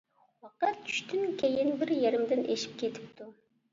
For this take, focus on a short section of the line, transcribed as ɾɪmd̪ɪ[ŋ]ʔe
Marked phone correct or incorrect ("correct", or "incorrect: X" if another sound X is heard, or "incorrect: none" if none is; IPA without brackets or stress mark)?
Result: incorrect: n